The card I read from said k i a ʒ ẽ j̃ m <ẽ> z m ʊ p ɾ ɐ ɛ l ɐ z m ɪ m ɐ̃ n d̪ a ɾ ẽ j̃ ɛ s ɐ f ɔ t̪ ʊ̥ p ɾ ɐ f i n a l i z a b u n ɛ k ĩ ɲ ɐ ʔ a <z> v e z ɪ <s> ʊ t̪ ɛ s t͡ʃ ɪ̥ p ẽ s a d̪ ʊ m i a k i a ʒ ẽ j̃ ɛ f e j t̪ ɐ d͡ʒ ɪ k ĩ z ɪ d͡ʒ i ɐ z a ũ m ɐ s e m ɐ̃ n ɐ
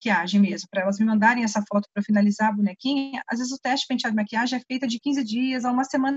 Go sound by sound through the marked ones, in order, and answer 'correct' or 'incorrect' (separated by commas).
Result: incorrect, correct, incorrect